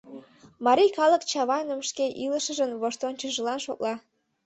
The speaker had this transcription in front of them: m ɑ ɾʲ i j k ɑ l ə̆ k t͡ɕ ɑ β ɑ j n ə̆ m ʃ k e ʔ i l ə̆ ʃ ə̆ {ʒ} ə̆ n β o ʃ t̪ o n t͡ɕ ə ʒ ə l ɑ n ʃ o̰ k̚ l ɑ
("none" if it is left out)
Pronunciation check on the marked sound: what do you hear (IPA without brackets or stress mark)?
ʒ